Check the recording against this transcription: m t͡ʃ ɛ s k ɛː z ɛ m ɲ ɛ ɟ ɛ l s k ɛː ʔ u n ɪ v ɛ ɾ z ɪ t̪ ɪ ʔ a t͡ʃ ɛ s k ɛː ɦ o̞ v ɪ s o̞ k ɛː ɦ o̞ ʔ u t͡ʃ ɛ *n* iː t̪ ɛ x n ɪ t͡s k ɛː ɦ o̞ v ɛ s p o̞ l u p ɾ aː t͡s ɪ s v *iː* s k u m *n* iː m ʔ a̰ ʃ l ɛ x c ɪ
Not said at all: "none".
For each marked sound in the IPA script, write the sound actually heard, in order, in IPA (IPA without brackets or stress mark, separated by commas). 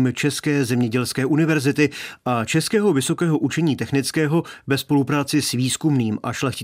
ɲ, iː, n